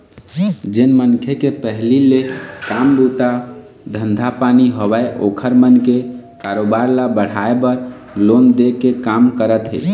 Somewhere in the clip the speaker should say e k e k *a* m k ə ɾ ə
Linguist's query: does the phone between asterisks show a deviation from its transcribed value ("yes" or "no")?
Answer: no